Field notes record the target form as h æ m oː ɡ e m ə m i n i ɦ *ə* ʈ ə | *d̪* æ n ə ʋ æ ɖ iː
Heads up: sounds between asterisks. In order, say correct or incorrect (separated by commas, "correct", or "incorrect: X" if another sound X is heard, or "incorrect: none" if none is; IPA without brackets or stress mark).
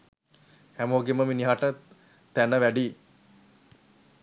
incorrect: a, incorrect: t̪